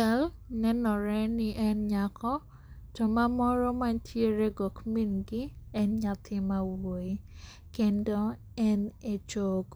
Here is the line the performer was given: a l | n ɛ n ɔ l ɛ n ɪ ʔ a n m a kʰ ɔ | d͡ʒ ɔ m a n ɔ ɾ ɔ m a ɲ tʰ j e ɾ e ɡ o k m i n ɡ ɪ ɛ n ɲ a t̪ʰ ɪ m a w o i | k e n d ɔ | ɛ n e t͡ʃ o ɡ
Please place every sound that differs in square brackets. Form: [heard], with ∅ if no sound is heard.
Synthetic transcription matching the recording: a l | n ɛ n ɔ [ɾ] ɛ n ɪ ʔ [ɛ] n [ɲ] a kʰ ɔ | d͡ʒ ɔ m a [m] ɔ ɾ ɔ m a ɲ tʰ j e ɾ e ɡ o k m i n ɡ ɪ ɛ n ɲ a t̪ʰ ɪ m a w o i | k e n d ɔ | ɛ n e t͡ʃ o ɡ